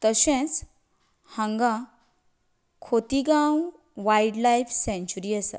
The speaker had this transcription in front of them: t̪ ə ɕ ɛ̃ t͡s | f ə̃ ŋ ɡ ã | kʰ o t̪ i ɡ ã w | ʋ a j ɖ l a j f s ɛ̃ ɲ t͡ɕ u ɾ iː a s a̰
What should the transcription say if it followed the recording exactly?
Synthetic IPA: t̪ ə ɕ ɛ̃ t͡s | h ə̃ ŋ ɡ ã | kʰ o t̪ i ɡ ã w | ʋ a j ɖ l a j f s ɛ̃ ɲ t͡ɕ u ɾ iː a s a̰